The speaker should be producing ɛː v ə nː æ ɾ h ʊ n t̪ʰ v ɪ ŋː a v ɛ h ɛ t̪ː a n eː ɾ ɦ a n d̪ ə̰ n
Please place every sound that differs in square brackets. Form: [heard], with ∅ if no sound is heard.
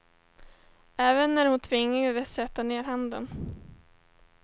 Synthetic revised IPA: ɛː v ə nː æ ɾ h ʊ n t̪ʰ v ɪ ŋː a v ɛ [s] ɛ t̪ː a n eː ɾ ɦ a n d̪ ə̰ n